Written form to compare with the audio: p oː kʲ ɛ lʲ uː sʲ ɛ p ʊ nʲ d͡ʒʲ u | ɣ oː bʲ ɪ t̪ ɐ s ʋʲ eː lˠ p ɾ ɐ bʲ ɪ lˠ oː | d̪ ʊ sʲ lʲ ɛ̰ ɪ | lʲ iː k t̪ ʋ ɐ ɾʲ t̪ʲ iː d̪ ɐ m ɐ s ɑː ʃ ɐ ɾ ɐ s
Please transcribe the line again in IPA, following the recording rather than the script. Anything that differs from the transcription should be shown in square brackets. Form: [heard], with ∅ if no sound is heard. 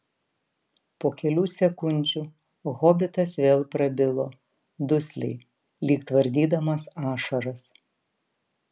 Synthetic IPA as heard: p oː kʲ ɛ lʲ uː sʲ ɛ [k] ʊ nʲ d͡ʒʲ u | ɣ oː bʲ ɪ t̪ ɐ s ʋʲ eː lˠ p ɾ ɐ bʲ ɪ lˠ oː | d̪ ʊ sʲ lʲ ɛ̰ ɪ | lʲ iː k t̪ ʋ ɐ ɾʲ [d̪ʲ] iː d̪ ɐ m ɐ s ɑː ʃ ɐ ɾ ɐ s